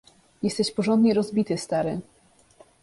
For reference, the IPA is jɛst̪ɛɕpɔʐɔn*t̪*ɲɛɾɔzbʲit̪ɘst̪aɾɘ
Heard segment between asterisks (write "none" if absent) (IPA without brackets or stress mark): d̪